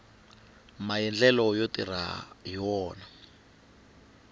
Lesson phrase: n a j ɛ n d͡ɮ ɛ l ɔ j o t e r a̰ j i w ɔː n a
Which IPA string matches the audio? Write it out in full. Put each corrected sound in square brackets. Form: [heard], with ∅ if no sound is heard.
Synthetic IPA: [m] a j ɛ n d͡ɮ ɛ l ɔ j o t [i] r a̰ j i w ɔː n a

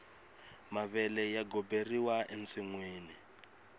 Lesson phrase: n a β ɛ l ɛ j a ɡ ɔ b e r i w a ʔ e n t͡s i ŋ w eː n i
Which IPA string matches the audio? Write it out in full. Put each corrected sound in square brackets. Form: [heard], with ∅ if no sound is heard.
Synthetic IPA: [m] a β ɛ l ɛ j a ɡ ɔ b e r i w a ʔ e n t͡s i ŋ w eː n i

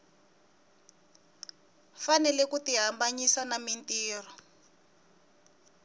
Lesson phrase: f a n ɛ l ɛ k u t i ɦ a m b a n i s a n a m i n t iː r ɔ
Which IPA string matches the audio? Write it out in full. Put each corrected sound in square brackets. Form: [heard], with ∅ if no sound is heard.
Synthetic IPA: f a n ɛ l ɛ k u t i ɦ a m b a [ɲ] i s a n a m i n t iː r ɔ

